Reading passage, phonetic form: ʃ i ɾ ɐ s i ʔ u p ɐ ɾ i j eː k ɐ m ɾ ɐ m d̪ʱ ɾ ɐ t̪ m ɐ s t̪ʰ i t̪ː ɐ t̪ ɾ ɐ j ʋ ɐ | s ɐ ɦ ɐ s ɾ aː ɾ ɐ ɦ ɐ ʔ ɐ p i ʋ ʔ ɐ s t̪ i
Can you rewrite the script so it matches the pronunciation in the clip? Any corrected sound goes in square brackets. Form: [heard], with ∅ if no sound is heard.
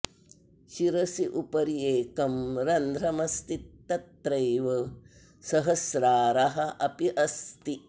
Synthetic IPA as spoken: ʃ i ɾ ɐ s i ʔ u p ɐ ɾ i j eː k ɐ m ɾ ɐ [n] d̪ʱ ɾ ɐ [∅] m ɐ s [t̪] i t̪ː ɐ t̪ ɾ ɐ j ʋ ɐ | s ɐ ɦ ɐ s ɾ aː ɾ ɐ ɦ ɐ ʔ ɐ p i [∅] ʔ ɐ s t̪ i

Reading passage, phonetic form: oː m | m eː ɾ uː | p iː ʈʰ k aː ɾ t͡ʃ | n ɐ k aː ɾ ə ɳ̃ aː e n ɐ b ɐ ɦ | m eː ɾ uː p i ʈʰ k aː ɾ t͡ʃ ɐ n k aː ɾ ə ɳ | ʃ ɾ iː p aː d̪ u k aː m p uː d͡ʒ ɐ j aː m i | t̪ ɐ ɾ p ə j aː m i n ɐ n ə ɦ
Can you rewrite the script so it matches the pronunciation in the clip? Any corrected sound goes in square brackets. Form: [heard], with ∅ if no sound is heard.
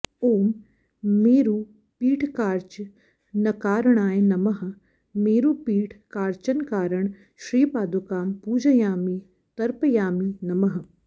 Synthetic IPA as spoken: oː m | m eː ɾ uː | p iː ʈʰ k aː ɾ t͡ʃ | n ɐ k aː ɾ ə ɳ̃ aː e n ɐ [m] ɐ ɦ | m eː ɾ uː p [iː] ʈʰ k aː ɾ t͡ʃ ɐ n k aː ɾ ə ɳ | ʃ ɾ iː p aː d̪ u k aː m p uː d͡ʒ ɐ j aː m i | t̪ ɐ ɾ p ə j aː m i n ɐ [m] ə ɦ

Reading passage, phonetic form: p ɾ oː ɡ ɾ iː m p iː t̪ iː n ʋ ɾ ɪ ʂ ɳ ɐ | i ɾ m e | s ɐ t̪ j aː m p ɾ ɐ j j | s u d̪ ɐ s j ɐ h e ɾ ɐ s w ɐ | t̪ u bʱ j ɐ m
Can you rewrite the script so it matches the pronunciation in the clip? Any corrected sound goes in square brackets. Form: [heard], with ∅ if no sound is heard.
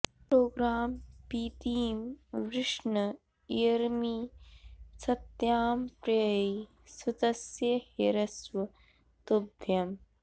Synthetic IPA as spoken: p ɾ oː ɡ ɾ [aː] m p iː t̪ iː [m] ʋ ɾ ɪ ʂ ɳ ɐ | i ɾ m [i] | s ɐ t̪ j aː m p ɾ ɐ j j | s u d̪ ɐ s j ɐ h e ɾ ɐ s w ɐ | t̪ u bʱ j ɐ m

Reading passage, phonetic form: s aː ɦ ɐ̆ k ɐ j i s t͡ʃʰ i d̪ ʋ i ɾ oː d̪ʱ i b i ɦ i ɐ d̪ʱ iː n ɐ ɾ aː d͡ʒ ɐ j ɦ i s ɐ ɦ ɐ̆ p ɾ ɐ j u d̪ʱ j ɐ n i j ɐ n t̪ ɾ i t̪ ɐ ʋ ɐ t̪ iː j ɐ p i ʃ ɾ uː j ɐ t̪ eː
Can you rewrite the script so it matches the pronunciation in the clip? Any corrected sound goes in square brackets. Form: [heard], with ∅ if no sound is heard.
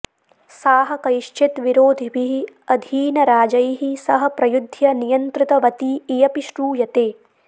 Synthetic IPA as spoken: s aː ɦ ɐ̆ k ɐ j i [ʃ] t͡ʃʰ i [t̪] ʋ i ɾ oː d̪ʱ i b i ɦ i ɐ d̪ʱ iː n ɐ ɾ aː d͡ʒ ɐ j ɦ i s ɐ ɦ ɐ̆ p ɾ ɐ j u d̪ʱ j ɐ n i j ɐ n t̪ ɾ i t̪ ɐ ʋ ɐ t̪ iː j ɐ p i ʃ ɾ uː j ɐ t̪ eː

